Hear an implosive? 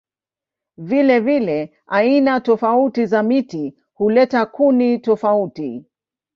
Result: no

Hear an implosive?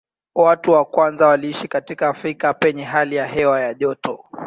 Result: yes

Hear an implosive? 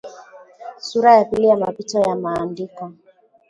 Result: no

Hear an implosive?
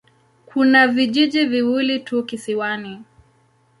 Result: yes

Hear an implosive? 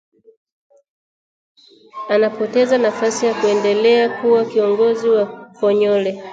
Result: no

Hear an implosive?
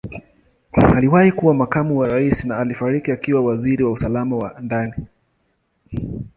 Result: no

